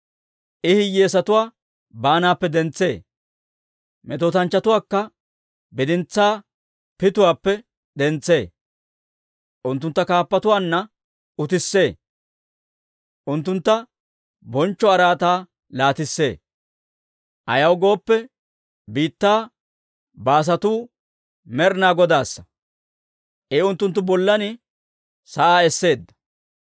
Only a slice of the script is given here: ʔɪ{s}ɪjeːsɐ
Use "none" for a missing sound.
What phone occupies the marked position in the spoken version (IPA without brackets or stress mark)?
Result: h